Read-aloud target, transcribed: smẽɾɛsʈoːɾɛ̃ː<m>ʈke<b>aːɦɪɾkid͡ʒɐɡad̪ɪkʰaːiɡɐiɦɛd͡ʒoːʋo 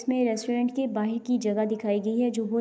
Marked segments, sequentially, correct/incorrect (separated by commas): incorrect, correct